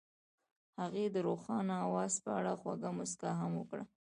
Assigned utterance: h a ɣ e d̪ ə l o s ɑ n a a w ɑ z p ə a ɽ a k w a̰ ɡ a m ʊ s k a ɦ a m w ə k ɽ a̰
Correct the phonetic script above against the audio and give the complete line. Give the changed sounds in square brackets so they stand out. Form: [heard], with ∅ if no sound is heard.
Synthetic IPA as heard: h a ɣ e d̪ ə [ɾ] o [x] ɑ n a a w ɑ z p ə a ɽ a [x] w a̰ ɡ a m ʊ s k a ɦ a m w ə k ɽ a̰